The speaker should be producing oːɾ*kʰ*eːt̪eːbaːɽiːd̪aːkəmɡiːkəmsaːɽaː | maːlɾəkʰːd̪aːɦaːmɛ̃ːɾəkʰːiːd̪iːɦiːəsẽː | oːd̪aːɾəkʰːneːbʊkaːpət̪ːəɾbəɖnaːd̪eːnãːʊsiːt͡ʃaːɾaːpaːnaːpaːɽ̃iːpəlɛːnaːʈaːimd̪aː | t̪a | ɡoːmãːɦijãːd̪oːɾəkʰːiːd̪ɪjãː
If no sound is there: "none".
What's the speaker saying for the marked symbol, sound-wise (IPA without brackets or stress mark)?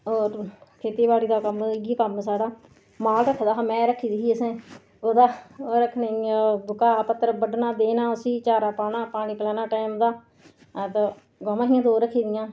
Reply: kʰ